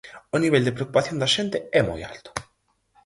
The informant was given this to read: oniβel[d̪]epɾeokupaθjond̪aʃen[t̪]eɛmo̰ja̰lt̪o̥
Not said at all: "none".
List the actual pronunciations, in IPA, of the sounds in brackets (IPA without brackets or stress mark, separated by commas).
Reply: d̪, t̪